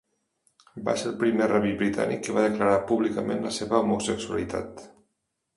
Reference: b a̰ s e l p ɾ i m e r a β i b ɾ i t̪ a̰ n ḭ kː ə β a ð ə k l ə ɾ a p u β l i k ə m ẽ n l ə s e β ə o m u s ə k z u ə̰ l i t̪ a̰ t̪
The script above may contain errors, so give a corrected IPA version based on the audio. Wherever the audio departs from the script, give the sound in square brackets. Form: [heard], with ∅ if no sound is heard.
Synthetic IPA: b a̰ s e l p ɾ i m e r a β i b ɾ i t̪ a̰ n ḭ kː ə β a ð ə k l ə ɾ a p u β l i k ə m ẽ n l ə s e β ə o m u s ə k [s] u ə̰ l i t̪ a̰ t̪